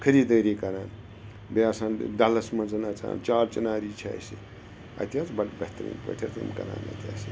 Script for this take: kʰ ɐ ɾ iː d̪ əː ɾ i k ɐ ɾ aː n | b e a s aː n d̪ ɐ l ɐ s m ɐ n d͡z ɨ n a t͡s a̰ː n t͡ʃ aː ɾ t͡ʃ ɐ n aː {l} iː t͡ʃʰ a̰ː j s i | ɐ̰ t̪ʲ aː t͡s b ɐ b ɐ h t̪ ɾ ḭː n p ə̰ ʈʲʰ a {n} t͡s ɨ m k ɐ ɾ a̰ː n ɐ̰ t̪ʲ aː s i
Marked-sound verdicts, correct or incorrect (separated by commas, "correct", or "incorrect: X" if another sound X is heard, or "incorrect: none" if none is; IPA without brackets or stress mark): incorrect: ɾ, incorrect: none